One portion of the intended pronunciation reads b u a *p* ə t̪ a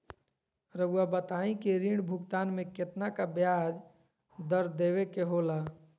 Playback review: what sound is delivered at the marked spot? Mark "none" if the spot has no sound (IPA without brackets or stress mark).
b